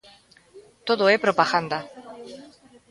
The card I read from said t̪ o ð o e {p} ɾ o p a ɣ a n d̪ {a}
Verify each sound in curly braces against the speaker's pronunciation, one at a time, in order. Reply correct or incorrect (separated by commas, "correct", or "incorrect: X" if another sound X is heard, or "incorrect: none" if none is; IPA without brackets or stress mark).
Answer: correct, correct